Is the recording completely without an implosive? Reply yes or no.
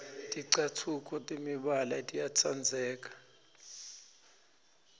no